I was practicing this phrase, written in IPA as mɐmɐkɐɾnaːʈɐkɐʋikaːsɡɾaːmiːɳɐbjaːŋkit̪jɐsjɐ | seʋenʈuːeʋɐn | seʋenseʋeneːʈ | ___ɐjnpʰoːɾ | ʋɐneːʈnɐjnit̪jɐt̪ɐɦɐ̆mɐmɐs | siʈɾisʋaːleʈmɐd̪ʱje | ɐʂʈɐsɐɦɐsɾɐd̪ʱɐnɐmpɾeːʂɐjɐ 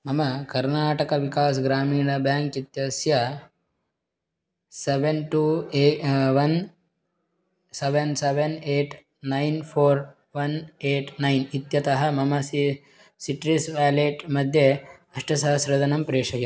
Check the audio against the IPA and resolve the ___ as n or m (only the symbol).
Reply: n